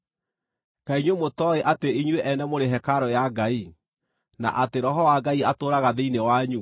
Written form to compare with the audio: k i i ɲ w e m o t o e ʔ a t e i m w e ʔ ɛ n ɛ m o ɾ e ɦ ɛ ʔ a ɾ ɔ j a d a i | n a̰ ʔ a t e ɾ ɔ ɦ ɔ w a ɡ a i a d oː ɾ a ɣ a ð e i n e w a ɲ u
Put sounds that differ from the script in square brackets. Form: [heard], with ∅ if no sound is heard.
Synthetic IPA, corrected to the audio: k [a] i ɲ w e m o t [ɔ] e ʔ a t e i [ɲ] w e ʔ ɛ n ɛ m o ɾ e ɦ ɛ [k] a ɾ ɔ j a [ɡ] a i | n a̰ ʔ a t e ɾ ɔ ɦ ɔ w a ɡ a i a [t] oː ɾ a ɣ a ð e i n e w a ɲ u